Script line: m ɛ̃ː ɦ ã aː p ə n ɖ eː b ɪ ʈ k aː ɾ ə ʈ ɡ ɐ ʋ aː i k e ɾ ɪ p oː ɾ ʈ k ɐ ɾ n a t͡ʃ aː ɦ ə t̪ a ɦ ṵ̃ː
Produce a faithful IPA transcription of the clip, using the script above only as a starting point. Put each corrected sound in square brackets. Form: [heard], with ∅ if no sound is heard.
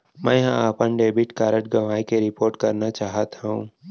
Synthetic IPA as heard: m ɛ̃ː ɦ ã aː p ə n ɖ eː b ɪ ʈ k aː ɾ ə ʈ ɡ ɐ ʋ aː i k e ɾ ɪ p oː ɾ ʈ k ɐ ɾ n a t͡ʃ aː ɦ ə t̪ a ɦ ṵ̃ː